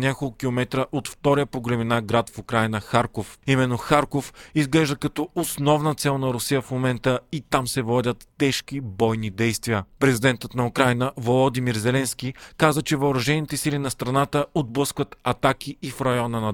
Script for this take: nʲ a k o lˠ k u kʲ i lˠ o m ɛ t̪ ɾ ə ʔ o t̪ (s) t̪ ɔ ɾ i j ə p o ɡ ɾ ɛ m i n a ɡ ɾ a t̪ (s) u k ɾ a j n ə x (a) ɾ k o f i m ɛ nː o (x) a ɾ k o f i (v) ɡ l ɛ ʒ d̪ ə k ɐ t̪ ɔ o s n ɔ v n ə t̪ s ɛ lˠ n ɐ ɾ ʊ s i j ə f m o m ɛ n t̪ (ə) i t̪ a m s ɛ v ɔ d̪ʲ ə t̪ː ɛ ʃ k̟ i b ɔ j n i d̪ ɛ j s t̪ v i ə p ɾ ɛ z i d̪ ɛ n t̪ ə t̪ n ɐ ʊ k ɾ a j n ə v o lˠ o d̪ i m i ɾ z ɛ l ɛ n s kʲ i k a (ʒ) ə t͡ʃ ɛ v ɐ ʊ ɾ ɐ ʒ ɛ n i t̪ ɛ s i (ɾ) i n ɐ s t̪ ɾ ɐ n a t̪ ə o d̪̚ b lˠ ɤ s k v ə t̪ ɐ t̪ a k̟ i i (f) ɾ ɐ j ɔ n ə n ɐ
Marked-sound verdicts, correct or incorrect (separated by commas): incorrect, incorrect, correct, correct, incorrect, correct, incorrect, incorrect, correct